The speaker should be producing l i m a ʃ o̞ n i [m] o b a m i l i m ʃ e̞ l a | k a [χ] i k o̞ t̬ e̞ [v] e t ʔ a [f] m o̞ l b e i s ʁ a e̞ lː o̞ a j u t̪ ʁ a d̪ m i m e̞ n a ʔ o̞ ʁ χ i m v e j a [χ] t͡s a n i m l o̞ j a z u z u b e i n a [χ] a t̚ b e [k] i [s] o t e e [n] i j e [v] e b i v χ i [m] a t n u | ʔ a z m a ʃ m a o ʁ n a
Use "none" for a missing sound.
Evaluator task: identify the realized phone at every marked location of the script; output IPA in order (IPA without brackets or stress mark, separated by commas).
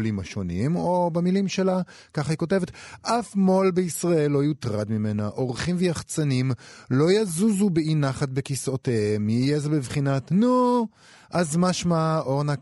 m, χ, v, f, χ, χ, k, s, m, z, n